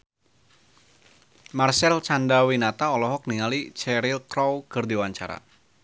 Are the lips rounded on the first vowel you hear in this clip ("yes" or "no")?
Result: no